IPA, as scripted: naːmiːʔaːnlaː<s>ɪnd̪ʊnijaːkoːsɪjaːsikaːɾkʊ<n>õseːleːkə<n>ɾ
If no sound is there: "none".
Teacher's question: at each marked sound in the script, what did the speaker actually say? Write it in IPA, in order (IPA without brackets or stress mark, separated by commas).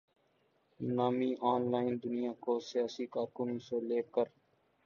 none, n, none